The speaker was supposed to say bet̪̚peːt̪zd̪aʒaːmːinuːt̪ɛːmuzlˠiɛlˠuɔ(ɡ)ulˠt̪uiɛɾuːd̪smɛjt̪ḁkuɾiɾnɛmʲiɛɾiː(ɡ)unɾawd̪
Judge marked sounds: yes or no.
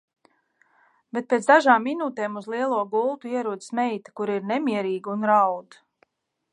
yes, yes

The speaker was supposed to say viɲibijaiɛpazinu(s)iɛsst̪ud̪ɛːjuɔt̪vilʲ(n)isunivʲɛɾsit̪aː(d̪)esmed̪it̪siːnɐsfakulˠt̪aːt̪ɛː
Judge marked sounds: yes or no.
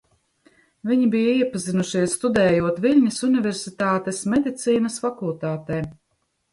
no, no, no

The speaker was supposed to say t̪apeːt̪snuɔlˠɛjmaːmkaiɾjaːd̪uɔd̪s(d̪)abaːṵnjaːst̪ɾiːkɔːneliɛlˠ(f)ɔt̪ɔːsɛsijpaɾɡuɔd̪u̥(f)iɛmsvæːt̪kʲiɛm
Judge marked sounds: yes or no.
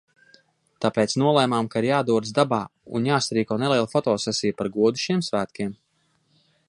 yes, yes, no

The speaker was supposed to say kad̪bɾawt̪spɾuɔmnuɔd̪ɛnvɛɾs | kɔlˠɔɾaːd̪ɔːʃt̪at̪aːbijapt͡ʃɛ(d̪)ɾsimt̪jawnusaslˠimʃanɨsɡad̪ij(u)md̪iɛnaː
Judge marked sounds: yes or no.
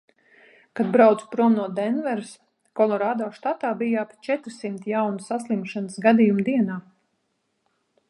no, yes

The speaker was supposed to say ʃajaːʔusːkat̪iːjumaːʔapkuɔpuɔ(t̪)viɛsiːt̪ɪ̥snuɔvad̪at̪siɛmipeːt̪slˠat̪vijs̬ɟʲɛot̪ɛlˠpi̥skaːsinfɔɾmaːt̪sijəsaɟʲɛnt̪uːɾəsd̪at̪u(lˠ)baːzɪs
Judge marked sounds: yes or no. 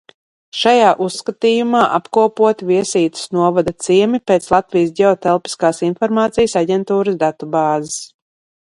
yes, no

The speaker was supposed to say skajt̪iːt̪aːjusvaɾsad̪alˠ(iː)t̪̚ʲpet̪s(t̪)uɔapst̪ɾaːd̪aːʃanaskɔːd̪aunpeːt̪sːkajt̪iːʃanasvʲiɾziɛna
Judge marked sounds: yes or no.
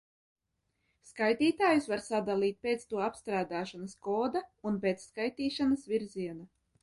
yes, yes

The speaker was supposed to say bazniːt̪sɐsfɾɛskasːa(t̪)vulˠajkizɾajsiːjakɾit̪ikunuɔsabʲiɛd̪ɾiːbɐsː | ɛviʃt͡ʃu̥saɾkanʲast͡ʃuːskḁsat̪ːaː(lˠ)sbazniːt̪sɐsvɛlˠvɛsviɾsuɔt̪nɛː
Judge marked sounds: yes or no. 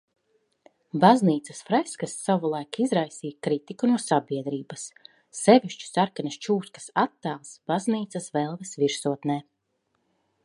no, yes

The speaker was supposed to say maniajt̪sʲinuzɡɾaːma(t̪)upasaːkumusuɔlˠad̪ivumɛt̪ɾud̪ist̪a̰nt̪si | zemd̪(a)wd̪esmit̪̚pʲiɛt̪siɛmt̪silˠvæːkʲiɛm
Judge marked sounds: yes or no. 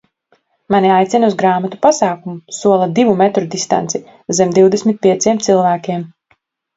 yes, no

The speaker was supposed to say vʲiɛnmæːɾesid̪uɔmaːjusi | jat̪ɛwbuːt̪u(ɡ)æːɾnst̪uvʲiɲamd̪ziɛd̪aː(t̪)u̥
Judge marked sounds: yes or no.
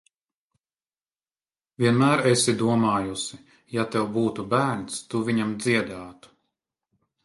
no, yes

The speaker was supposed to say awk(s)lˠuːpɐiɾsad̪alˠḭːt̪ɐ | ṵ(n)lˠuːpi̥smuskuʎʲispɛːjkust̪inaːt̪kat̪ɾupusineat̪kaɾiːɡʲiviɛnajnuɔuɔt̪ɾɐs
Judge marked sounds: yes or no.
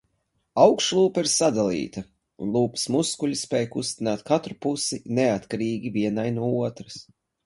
no, yes

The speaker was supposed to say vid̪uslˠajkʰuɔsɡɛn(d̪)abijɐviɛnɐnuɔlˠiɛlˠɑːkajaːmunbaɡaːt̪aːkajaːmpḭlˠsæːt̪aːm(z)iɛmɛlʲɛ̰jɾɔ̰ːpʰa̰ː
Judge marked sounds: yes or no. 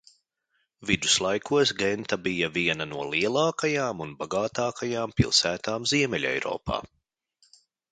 no, yes

